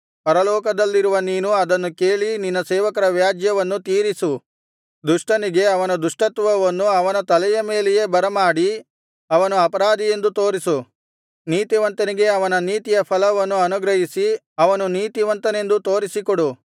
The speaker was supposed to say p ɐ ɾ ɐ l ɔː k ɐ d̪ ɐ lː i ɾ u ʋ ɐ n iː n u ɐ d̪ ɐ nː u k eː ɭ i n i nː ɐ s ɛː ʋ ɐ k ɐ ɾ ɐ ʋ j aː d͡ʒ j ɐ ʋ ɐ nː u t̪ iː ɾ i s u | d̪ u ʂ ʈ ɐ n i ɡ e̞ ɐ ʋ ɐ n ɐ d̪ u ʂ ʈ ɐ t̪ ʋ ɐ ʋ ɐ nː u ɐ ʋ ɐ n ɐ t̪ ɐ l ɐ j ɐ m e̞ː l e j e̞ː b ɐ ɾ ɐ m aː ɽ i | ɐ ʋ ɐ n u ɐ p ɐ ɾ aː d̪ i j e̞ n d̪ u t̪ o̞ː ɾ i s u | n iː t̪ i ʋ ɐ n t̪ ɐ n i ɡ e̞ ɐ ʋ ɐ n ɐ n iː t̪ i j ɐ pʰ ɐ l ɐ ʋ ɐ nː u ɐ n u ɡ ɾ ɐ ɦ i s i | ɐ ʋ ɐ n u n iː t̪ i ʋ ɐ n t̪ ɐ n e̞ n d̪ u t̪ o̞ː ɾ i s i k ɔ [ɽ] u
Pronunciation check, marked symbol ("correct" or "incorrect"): correct